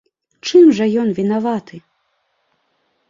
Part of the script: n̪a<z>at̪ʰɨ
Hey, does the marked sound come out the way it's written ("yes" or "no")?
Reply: no